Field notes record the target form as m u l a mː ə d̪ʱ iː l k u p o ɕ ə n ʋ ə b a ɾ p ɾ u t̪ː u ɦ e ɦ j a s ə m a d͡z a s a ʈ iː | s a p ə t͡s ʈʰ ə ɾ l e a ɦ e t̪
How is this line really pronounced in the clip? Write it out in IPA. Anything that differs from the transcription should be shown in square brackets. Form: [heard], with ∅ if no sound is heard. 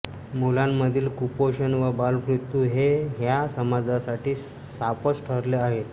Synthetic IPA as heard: m u l a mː ə d̪ʱ iː l k u p o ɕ ə n ʋ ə b a [l] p ɾ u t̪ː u ɦ e ɦ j a s ə m a d͡z a s a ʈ iː | s a p ə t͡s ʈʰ ə ɾ l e a ɦ e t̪